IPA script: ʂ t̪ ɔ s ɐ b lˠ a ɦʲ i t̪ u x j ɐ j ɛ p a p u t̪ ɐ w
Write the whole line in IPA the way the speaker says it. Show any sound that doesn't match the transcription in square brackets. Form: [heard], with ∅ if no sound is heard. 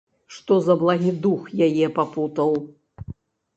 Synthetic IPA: ʂ t̪ ɔ [z] ɐ b lˠ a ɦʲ i [d̪] u x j [a] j ɛ p a p u t̪ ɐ w